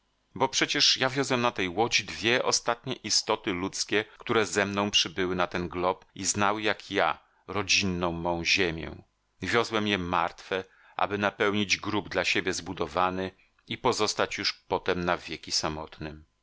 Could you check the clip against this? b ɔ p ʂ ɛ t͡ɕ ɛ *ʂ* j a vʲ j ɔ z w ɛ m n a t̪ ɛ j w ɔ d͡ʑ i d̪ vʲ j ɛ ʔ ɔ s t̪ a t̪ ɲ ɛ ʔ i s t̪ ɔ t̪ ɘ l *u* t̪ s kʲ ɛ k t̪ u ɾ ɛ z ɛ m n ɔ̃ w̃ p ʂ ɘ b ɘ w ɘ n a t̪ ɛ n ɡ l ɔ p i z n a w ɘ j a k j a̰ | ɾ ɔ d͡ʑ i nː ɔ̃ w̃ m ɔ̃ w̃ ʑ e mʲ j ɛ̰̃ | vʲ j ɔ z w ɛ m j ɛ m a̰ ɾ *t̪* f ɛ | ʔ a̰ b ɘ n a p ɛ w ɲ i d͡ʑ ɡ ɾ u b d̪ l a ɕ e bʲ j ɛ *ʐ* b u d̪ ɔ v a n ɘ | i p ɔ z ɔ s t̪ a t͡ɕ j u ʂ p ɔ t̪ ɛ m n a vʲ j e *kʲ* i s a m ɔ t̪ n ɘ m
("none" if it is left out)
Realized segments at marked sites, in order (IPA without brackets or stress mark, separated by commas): ʂ, u, t̪, z, kʲ